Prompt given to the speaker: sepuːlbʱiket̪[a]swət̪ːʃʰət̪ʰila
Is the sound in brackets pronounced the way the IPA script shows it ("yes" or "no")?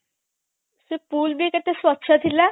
no